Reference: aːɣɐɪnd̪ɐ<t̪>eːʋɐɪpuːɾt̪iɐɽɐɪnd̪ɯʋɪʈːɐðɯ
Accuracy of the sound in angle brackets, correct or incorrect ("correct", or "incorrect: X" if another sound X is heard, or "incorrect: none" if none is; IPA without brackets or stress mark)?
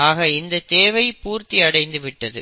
correct